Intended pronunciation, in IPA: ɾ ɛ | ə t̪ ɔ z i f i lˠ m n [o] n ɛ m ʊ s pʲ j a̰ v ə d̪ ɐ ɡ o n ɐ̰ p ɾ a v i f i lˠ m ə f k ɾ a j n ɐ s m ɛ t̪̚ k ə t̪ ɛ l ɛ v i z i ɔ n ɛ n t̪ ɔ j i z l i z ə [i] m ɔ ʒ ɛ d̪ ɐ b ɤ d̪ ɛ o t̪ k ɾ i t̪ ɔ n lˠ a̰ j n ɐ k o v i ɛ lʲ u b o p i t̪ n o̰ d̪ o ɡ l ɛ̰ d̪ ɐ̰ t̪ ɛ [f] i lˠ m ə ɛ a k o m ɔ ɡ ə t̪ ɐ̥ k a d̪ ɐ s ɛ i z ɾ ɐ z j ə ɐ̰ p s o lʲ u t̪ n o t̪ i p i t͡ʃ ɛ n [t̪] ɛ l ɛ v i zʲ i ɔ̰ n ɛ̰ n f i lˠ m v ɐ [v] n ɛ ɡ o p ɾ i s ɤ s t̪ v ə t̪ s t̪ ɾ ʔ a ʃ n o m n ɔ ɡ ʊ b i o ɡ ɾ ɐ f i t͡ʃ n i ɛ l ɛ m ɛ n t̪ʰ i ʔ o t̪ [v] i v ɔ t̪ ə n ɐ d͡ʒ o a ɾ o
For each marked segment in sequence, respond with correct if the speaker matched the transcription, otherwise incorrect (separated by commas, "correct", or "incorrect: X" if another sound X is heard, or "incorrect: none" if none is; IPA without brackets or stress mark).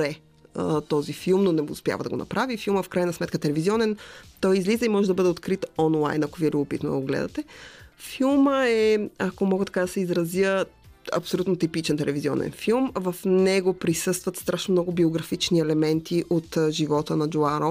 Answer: correct, correct, correct, correct, incorrect: f, incorrect: ʒ